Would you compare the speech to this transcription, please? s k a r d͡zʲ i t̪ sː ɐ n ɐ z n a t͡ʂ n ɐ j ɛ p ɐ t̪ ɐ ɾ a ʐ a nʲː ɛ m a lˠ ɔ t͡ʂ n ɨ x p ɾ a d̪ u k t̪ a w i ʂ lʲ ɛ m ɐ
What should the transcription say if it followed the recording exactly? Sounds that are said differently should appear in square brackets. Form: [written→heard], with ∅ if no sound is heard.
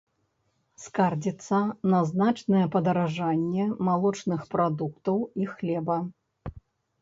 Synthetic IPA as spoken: s k a r d͡zʲ i t̪ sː ɐ n ɐ z n a t͡ʂ n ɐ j ɛ p ɐ [t̪→d̪] ɐ ɾ a ʐ a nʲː ɛ m a lˠ ɔ t͡ʂ n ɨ x p ɾ a d̪ u k t̪ [a→ɐ] w i [ʂ→x] lʲ ɛ [m→b] ɐ